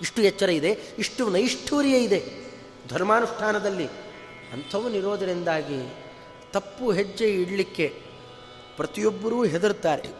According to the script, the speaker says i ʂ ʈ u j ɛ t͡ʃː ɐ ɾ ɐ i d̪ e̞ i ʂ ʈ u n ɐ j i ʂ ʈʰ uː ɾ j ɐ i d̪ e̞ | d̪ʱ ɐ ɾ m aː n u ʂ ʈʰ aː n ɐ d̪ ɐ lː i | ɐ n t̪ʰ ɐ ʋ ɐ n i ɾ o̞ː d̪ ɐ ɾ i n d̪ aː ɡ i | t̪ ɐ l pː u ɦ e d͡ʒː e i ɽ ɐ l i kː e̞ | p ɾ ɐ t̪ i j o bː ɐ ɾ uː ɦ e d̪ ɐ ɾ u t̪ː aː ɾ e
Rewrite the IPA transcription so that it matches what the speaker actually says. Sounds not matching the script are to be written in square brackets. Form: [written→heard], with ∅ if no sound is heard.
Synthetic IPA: i ʂ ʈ u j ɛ t͡ʃː ɐ ɾ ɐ i d̪ e̞ i ʂ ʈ u n ɐ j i ʂ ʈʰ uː ɾ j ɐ i d̪ e̞ | d̪ʱ ɐ ɾ m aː n u ʂ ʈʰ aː n ɐ d̪ ɐ lː i | ɐ n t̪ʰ ɐ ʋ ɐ n i ɾ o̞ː d̪ ɐ ɾ i n d̪ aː ɡ i | t̪ ɐ [l→∅] pː u ɦ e d͡ʒː e i ɽ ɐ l i kː e̞ | p ɾ ɐ t̪ i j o bː ɐ ɾ uː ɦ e d̪ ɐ ɾ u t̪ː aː ɾ e